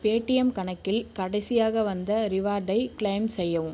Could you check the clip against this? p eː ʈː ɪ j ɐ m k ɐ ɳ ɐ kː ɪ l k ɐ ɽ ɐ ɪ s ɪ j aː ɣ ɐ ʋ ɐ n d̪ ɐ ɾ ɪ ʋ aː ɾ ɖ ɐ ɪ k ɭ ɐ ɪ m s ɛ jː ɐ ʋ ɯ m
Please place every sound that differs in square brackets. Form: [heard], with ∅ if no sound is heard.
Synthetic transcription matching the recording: p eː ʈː ɪ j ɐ m k ɐ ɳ ɐ kː ɪ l k ɐ ɽ ɐ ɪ s ɪ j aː ɣ ɐ ʋ ɐ n d̪ ɐ ɾ ɪ ʋ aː ɾ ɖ ɐ ɪ k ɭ ɐ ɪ m s ɛ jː ɐ ʋ ɯ m